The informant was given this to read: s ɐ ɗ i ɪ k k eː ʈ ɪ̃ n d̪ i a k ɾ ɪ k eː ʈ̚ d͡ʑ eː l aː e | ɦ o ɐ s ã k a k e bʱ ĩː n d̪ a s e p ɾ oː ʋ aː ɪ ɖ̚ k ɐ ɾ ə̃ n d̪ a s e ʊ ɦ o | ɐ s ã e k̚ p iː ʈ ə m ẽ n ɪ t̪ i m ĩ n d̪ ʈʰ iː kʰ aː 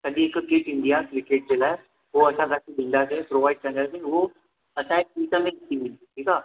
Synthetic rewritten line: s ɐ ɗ i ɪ k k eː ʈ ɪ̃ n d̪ i a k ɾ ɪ k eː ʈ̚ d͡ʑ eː l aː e | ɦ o ɐ s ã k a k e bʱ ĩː n d̪ a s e p ɾ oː ʋ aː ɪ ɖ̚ k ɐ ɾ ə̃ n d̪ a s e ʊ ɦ o | ɐ s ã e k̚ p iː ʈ ə m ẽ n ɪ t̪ i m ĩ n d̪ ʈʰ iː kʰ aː